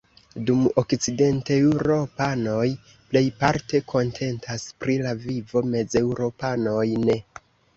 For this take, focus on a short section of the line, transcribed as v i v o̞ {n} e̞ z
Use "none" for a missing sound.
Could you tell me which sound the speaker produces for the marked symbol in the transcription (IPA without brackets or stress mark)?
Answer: m